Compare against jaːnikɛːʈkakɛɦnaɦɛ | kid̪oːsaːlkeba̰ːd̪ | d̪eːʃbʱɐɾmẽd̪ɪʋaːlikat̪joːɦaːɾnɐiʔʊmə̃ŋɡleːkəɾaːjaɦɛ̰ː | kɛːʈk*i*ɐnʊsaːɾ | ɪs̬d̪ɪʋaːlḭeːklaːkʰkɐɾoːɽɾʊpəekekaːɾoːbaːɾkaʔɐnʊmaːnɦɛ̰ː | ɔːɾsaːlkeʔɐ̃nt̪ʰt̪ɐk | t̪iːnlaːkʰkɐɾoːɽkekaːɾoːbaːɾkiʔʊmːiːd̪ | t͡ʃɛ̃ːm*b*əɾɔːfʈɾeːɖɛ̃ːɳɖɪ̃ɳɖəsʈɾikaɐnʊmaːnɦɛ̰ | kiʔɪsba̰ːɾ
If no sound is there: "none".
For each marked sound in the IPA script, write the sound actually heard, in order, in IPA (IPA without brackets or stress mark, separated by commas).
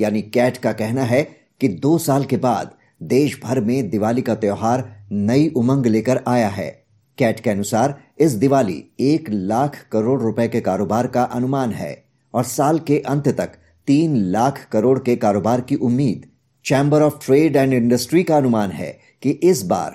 e, b